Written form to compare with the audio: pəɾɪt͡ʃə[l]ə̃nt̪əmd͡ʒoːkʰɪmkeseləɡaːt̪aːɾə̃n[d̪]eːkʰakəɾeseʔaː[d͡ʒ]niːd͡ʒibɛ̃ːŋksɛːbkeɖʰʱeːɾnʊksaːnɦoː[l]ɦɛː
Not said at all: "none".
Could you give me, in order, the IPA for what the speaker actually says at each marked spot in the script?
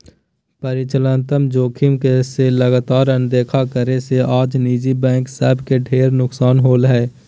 l, d̪, d͡ʒ, l

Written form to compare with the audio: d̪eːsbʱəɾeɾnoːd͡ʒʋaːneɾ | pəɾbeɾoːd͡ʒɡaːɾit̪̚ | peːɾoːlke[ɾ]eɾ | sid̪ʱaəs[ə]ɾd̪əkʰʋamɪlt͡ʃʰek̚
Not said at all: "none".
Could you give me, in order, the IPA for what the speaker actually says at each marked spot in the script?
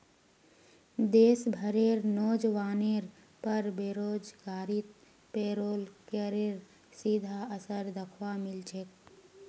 ɾ, ə

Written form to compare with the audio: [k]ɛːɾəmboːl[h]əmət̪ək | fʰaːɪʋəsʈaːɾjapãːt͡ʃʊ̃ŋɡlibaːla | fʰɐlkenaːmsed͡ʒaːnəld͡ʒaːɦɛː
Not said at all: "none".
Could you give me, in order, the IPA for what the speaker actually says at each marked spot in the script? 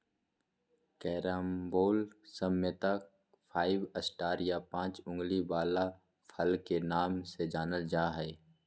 k, s

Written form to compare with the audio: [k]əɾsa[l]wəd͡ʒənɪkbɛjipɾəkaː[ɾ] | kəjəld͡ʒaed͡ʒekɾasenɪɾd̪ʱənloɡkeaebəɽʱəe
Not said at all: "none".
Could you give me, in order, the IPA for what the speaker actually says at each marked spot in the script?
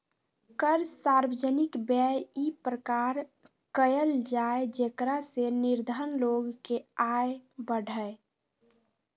k, ɾ, ɾ

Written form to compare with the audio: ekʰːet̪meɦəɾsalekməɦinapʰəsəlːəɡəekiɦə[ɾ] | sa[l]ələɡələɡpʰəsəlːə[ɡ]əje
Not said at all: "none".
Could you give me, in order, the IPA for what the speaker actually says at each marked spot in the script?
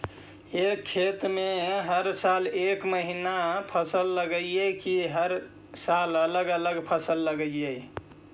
ɾ, l, ɡ

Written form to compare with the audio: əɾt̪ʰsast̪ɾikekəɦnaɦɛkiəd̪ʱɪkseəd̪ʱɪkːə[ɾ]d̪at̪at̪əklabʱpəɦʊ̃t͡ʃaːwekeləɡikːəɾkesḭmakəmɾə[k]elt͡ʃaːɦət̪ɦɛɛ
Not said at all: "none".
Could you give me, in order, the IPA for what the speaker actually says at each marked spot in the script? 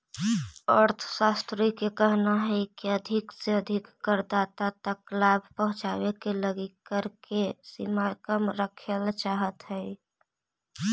ɾ, kʰ

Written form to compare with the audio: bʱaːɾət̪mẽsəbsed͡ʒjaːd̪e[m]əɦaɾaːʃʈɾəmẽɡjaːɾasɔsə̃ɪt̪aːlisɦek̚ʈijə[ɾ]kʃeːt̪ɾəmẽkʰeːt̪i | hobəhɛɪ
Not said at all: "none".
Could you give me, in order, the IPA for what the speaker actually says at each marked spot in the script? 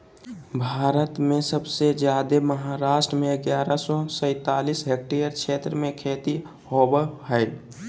m, ɾ

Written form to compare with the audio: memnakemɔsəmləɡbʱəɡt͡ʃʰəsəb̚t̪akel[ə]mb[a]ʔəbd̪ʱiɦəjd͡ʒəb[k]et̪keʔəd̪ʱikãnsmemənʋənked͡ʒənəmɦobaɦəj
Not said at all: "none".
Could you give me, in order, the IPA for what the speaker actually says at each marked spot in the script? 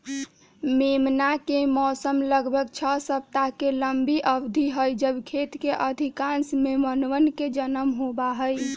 ə, i, kʰ

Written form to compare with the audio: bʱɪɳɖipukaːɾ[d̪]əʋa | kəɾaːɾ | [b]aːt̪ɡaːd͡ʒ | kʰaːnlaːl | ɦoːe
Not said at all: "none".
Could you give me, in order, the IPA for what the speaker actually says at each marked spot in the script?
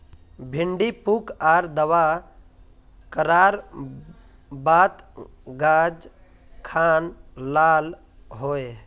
d̪, b

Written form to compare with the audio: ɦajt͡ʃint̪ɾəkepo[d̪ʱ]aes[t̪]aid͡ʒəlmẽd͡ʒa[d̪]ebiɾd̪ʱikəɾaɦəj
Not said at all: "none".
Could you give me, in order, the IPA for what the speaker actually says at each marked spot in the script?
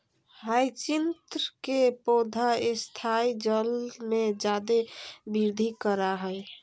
d̪ʱ, t̪ʰ, d̪

